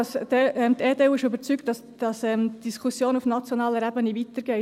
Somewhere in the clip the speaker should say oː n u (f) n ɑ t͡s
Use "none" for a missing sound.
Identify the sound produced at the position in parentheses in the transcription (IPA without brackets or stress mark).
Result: f